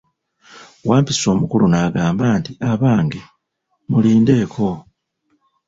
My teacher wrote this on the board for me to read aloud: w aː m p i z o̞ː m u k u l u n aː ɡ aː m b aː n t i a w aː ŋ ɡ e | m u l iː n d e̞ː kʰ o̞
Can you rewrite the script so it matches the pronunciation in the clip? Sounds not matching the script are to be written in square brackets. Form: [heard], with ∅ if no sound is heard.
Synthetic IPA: w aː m p i [s] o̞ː m u k u l u n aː ɡ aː m b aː n t i a [β] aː ŋ ɡ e | m u l iː n d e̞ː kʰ o̞